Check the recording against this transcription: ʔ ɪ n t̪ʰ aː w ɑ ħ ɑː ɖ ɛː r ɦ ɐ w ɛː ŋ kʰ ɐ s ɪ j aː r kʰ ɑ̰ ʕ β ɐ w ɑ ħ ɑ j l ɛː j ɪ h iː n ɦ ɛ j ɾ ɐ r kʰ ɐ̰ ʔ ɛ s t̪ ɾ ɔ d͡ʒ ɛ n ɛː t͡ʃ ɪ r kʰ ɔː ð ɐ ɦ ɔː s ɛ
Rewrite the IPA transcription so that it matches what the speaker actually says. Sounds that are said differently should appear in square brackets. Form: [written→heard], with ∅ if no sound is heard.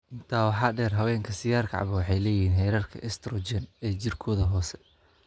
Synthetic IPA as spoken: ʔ ɪ n t̪ʰ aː w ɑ ħ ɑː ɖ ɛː r ɦ ɐ w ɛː ŋ kʰ ɐ s ɪ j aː r kʰ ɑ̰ ʕ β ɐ w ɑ ħ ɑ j l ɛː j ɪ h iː n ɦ ɛ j ɾ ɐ r kʰ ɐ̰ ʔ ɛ s t̪ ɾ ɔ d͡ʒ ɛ n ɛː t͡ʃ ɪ r kʰ ɔː ð ɐ ɦ ɔː s ɛ